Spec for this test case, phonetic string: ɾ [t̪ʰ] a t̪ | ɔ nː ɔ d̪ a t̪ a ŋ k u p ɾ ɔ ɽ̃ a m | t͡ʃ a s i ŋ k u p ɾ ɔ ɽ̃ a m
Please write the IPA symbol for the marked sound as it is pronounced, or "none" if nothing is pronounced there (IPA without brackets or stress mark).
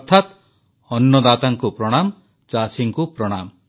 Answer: t̪ʰ